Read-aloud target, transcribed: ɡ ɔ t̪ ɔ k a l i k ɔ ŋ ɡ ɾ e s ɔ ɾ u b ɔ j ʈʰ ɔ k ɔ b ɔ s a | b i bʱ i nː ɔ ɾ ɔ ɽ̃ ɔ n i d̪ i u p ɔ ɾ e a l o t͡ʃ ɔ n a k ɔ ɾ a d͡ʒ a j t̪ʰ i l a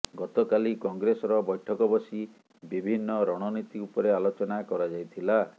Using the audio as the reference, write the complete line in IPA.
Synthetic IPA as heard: ɡ ɔ t̪ ɔ k a l i k ɔ ŋ ɡ ɾ e s ɔ ɾ ɔ b ɔ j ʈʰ ɔ k ɔ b ɔ s i | b i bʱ i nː ɔ ɾ ɔ ɽ̃ ɔ n i t̪ i u p ɔ ɾ e a l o t͡ʃ ɔ n a k ɔ ɾ a d͡ʒ a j t̪ʰ i l a